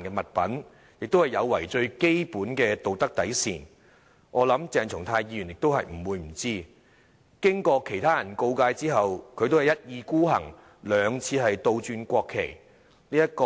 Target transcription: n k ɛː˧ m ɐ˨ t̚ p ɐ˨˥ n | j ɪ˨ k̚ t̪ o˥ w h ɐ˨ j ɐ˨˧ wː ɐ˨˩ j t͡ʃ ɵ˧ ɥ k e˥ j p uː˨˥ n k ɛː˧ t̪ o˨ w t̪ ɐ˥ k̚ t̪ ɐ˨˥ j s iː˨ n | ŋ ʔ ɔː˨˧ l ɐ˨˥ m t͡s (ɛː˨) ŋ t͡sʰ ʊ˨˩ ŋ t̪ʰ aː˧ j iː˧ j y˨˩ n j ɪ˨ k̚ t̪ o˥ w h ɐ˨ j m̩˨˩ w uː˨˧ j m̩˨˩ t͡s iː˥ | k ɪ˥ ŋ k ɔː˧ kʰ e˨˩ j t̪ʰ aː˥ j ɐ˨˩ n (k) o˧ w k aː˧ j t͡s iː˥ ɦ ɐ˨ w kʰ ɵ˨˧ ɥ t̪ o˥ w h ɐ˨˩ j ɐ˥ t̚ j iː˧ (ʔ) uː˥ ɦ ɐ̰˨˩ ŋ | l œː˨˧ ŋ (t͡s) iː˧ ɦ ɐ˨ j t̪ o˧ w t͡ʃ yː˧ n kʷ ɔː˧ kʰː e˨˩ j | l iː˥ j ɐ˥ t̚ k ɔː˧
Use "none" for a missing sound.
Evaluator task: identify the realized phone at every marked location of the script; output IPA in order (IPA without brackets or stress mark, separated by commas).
ɛː˨, k, k, t͡sʰ